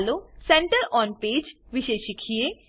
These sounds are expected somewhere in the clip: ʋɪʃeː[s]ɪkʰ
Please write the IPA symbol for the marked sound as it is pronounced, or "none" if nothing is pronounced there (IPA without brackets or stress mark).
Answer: ʃ